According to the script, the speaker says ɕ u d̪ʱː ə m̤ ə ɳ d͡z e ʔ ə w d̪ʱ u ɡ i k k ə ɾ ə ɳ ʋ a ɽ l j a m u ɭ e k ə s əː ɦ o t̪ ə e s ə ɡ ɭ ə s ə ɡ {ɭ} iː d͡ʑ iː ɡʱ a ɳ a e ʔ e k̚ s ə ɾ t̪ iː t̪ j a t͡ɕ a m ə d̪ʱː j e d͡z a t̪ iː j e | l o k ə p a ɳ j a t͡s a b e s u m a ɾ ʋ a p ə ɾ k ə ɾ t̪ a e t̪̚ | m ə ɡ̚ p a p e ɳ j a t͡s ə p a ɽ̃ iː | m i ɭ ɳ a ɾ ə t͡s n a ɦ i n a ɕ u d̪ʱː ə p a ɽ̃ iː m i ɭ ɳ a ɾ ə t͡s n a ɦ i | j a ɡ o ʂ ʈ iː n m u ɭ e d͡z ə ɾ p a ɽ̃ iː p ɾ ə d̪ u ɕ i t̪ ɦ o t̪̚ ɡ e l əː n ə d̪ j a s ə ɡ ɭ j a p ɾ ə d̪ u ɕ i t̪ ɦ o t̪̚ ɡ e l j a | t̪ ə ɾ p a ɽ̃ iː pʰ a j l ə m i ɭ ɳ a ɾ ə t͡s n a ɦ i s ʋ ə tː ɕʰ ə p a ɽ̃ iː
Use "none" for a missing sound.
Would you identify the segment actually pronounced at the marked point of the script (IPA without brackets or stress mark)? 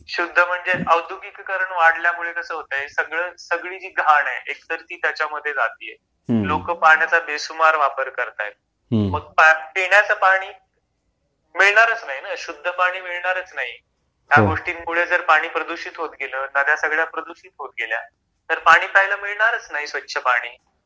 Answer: ɭ